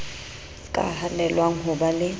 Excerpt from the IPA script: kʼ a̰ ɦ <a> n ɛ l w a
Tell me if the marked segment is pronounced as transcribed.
yes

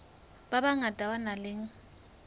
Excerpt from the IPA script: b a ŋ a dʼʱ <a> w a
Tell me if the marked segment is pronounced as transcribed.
yes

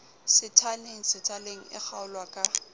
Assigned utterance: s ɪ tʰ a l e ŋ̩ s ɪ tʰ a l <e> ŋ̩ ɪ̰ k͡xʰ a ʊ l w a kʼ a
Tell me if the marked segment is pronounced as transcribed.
yes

